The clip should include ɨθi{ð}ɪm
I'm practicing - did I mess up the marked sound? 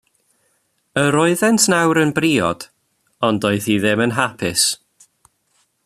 no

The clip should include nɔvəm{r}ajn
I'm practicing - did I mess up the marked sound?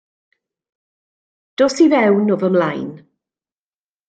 yes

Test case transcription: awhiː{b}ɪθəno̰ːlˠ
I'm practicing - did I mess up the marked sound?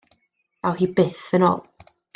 no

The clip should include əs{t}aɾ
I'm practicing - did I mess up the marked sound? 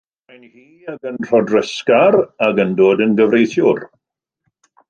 yes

